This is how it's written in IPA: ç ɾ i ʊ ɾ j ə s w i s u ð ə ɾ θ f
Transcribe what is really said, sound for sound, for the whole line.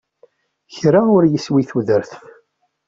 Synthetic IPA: ç ɾ a ʊ ɾ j ə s w i θ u ð ə ɾ θ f